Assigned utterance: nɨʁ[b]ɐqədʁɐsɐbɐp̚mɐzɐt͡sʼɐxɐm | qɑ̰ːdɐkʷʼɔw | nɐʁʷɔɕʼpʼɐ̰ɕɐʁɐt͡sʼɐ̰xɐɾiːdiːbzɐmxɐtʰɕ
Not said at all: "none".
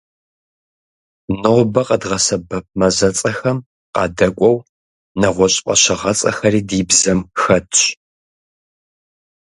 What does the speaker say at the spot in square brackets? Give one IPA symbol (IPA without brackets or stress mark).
b